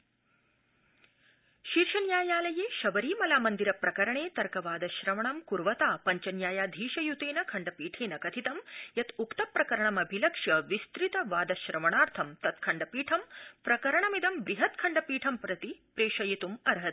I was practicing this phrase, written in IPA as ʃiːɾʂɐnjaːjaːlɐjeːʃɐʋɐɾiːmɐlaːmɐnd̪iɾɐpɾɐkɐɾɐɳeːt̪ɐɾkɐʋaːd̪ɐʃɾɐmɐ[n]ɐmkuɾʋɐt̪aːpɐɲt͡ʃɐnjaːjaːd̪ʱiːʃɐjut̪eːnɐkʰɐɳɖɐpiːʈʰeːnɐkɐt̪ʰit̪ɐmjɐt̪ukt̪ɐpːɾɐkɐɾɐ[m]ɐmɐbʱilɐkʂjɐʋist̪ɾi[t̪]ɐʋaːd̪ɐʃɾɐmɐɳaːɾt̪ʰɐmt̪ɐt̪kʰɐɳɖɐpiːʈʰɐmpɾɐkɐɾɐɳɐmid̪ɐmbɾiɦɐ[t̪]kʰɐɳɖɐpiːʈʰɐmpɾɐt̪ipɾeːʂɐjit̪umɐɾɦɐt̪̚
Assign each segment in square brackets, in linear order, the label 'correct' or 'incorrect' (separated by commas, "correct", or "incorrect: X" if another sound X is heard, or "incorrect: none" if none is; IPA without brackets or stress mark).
incorrect: ɳ, incorrect: ɳ, correct, correct